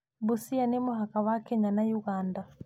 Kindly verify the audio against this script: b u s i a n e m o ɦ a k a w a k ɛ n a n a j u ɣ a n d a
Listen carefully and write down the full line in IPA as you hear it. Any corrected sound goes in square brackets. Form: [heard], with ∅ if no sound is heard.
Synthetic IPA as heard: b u s i a n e m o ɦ a k a w a k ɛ [ɲ] a n a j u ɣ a n d a